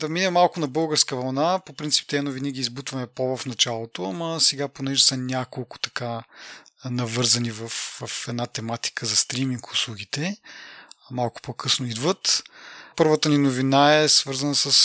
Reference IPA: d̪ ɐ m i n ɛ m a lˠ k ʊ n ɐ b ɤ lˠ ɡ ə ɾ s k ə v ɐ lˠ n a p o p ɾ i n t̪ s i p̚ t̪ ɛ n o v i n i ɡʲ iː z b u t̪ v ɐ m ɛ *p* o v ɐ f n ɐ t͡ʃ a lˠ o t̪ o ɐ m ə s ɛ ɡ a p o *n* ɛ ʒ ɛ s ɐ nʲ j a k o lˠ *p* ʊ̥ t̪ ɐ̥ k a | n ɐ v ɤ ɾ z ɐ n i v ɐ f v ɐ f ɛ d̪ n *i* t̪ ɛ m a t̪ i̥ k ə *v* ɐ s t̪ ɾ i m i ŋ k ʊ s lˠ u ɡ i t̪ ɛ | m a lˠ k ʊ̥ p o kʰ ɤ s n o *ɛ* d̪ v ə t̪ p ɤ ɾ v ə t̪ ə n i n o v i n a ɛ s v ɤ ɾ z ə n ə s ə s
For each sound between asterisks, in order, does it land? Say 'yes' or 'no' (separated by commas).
yes, yes, no, no, no, no